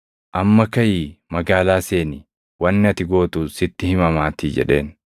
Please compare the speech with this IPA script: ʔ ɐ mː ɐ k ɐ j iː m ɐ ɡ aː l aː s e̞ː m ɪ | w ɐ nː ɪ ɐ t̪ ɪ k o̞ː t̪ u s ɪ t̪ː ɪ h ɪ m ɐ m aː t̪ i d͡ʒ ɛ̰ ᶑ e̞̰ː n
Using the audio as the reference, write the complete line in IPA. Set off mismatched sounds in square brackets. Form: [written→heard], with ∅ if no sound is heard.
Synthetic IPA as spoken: ʔ ɐ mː ɐ k ɐ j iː m ɐ ɡ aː l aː s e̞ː [m→n] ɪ | w ɐ nː ɪ ɐ t̪ ɪ [k→ɡ] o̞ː t̪ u s ɪ t̪ː ɪ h ɪ m ɐ m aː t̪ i d͡ʒ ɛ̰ ᶑ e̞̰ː n